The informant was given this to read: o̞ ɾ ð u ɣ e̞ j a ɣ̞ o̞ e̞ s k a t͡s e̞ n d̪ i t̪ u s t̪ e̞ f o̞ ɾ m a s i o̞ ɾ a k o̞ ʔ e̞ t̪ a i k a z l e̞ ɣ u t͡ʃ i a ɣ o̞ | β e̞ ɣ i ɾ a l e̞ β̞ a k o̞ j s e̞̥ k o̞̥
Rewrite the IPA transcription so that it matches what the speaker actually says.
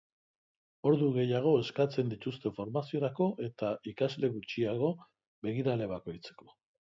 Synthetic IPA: o̞ ɾ ð u ɣ e̞ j a ɣ̞ o̞ e̞ s k a t͡s e̞ n d̪ i t̪ u s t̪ e̞ f o̞ ɾ m a s i o̞ ɾ a k o̞ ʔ e̞ t̪ a i k a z l e̞ ɣ u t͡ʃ i a ɣ o̞ | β e̞ ɣ i ɾ a l e̞ β̞ a k o̞ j t͡s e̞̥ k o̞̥